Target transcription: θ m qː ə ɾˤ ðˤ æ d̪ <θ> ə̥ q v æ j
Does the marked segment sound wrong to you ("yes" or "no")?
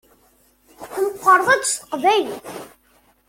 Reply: yes